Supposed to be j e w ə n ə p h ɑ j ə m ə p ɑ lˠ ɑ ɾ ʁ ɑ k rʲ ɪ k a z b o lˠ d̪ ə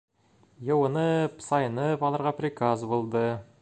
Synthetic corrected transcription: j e w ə n ə p s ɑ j ə n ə p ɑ lˠ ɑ ɾ ʁ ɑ p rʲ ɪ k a z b o lˠ d̪ ə